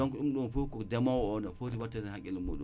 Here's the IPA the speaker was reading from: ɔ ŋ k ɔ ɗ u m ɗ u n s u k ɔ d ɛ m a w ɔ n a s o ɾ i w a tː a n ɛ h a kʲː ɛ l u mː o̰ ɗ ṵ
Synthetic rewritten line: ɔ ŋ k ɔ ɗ u m ɗ u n f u k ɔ d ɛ m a w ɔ n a f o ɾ i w a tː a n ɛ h a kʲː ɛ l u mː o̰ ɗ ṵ

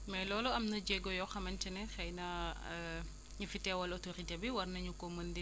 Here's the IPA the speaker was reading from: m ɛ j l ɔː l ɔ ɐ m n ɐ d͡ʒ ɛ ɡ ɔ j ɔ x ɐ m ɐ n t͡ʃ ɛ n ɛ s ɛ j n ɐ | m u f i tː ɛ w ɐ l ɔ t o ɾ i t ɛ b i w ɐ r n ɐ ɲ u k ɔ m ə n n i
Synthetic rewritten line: m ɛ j l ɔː l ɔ ɐ m n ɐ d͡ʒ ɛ ɡ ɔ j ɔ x ɐ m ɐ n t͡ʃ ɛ n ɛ x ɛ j n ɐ | ɲ u f i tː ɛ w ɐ l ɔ t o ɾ i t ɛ b i w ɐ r n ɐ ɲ u k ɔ m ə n d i

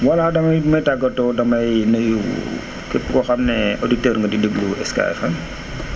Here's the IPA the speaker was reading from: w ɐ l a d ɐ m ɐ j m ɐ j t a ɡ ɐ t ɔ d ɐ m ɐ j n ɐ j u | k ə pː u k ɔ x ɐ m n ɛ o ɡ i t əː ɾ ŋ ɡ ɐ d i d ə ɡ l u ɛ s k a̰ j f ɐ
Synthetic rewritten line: w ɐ l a d ɐ m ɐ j m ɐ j t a ɡ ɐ t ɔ d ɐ m ɐ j n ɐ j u | k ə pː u k ɔ x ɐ m n ɛ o d i t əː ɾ ŋ ɡ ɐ d i d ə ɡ l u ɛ s k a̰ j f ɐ

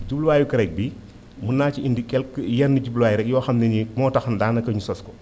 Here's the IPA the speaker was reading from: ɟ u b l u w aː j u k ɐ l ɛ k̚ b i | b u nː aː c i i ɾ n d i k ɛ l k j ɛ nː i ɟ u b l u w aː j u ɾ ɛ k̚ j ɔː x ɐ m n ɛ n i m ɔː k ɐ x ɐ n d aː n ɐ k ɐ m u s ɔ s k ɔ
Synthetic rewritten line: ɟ u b l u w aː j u k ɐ ɾ ɛ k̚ b i | m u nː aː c i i n d i k ɛ l k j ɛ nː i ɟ u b l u w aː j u ɾ ɛ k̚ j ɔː x ɐ m n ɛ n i m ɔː t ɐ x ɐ n d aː n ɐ k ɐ ɲ u s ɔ s k ɔ

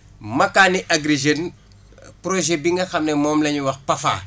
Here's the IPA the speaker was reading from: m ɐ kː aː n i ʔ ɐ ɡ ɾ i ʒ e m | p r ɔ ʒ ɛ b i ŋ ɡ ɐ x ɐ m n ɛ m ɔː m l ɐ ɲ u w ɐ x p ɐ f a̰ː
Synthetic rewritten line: m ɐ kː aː n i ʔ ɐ ɡ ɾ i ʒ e n | p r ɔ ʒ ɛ b i ŋ ɡ ɐ x ɐ m n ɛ m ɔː m l ɐ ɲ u w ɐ x p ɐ f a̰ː

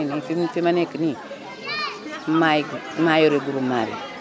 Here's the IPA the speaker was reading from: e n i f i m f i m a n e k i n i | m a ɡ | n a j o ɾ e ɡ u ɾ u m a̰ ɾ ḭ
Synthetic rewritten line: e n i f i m f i m a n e k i n i | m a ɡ | m a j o ɾ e ɡ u ɾ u m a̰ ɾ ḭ

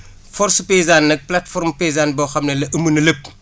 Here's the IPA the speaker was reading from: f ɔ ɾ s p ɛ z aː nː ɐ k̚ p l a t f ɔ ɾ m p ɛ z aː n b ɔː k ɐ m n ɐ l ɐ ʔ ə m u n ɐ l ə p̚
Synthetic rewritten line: f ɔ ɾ s p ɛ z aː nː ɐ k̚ p l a t f ɔ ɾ m p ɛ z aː n b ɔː x ɐ m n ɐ l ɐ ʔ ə m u n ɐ l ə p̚

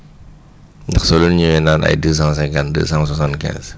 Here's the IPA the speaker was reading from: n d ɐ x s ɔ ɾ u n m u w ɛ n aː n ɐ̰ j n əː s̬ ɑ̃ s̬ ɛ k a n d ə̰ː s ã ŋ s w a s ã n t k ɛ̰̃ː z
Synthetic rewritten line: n d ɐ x s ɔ l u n ɲ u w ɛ n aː n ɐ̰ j d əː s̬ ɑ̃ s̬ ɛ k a n d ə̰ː s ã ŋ s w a s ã n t k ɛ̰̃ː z

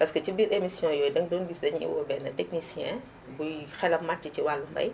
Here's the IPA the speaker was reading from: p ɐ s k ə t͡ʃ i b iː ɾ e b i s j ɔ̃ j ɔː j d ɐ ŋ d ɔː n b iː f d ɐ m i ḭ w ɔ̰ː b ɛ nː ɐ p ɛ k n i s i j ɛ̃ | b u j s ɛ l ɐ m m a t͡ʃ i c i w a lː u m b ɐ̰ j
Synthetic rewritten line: p ɐ s k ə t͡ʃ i b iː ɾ e m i s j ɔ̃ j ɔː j d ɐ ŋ d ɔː n b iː s d ɐ ɲ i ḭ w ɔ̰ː b ɛ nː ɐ t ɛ k n i s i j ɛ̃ | b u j x ɛ l ɐ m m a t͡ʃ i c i w a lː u m b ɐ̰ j

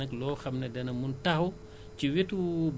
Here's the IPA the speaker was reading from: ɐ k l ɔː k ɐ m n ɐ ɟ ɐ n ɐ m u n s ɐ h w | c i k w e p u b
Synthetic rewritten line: ɐ k l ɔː x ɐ m n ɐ d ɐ n ɐ m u n t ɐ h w | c i w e t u b

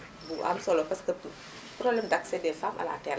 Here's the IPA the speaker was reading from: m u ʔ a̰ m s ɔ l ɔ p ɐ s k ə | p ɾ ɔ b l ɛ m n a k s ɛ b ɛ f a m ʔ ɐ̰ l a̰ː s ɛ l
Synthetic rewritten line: b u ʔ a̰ m s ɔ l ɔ p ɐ s k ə | p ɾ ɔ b l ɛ m d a k s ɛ d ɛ f a m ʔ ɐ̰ l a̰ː t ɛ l

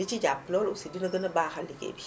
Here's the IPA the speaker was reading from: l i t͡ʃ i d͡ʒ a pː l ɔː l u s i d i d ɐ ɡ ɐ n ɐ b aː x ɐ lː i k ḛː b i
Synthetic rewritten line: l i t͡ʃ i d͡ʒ a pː l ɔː l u s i d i n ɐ ɡ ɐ n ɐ b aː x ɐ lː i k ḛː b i

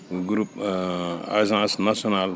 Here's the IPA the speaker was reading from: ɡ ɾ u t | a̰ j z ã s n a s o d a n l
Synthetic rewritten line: ɡ ɾ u p | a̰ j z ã s n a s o n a l

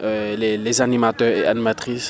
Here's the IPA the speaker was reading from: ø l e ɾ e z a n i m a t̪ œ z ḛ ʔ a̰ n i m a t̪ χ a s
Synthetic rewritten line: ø l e l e z a n i m a t̪ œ ʁ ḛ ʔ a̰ n i m a t̪ χ i s

